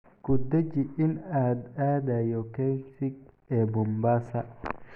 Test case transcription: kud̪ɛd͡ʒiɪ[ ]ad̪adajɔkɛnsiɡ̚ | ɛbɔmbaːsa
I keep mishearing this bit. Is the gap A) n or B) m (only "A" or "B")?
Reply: A